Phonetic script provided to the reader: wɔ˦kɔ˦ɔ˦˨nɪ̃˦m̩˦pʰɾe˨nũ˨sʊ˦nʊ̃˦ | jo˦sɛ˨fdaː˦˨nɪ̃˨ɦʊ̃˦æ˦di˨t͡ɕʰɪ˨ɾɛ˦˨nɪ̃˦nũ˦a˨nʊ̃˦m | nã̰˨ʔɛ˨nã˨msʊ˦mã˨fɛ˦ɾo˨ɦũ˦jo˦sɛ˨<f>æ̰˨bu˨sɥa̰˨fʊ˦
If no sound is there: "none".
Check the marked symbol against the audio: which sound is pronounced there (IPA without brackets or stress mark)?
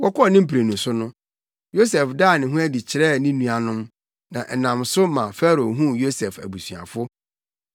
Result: f